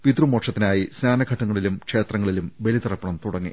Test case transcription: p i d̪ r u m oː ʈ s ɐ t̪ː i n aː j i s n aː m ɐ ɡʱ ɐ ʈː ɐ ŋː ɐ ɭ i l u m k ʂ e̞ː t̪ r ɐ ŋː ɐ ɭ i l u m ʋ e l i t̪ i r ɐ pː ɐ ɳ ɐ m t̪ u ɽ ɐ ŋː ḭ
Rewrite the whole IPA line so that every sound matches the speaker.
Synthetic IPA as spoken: p i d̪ r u m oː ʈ ʂ ɐ t̪ː i n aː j i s n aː n ɐ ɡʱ ɐ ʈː ɐ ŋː ɐ ɭ i l u m k ʂ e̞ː t̪ r ɐ ŋː ɐ ɭ i l u m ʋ e l i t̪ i r ɐ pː ɐ ɳ ɐ m t̪ u ɽ ɐ ŋː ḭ